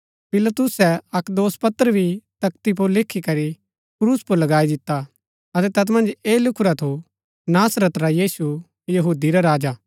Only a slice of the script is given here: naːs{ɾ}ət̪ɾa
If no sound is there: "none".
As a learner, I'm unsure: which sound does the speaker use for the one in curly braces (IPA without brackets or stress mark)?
ɾ